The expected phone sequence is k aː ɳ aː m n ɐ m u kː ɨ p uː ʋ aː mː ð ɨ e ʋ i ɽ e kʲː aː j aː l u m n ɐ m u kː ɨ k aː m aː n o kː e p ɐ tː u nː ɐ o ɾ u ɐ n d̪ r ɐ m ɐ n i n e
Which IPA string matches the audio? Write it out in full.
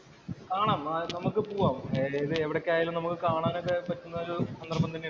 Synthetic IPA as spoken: k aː ɳ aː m n ɐ m u kː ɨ p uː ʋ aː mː ð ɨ e ʋ i ɽ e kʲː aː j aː l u m n ɐ m u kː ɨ k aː ɳ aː n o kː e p ɐ tː u nː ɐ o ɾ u ɐ n d̪ r ɐ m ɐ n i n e